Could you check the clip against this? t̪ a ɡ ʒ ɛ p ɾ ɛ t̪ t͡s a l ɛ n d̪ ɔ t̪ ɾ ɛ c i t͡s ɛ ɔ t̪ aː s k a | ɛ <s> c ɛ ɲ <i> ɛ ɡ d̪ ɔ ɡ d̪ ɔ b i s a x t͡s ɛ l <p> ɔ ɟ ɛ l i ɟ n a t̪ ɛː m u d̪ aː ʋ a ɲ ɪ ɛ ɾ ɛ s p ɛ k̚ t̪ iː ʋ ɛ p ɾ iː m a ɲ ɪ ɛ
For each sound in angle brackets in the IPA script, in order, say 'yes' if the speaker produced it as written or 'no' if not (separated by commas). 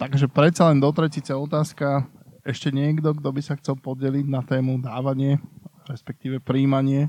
no, no, yes